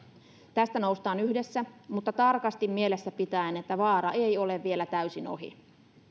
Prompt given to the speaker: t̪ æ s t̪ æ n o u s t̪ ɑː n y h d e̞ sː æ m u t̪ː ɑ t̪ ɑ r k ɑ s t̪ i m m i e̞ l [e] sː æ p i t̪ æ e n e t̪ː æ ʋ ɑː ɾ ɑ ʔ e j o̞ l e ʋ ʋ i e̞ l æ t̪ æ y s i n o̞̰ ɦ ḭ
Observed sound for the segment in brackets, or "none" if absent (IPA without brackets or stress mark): e